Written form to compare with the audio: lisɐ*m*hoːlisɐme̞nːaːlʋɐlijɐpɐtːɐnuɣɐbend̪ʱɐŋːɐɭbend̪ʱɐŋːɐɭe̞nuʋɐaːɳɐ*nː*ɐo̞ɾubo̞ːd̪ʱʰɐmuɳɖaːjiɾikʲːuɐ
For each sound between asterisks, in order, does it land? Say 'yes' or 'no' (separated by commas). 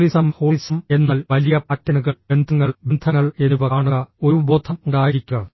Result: yes, no